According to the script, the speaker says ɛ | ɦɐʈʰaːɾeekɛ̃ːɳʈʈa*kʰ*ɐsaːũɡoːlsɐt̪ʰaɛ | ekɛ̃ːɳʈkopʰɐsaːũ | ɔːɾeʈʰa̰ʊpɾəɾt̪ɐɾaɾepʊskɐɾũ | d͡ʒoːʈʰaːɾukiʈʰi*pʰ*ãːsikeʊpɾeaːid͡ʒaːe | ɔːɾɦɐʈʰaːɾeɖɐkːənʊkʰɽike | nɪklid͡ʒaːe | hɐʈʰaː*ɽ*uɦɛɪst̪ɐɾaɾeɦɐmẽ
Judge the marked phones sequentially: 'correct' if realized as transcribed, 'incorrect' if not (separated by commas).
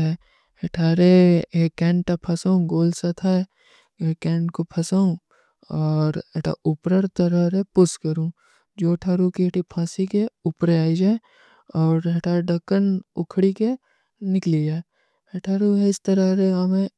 incorrect, correct, incorrect